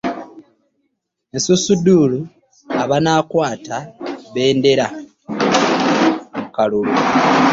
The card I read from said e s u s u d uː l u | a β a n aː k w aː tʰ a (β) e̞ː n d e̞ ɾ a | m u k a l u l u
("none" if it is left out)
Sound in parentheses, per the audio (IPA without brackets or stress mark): β